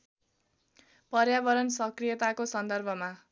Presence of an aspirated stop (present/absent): absent